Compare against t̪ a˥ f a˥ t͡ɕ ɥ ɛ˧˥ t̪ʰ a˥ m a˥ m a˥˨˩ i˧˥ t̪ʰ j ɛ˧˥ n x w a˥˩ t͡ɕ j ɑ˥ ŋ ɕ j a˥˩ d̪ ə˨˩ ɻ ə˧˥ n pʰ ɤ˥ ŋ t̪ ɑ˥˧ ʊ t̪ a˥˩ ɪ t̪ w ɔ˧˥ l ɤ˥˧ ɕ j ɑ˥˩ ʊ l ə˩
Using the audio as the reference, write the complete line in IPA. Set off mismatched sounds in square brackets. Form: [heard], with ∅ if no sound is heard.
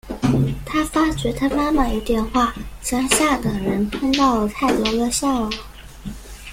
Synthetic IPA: [t̪ʰ] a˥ f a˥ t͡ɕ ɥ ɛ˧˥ t̪ʰ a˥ m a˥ m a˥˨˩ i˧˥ [t̪] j [ɛ˥˧] n x w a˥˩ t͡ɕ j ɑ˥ ŋ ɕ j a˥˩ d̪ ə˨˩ ɻ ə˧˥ n pʰ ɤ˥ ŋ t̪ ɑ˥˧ ʊ [t̪ʰ] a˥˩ ɪ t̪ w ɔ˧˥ l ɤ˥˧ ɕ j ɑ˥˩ ʊ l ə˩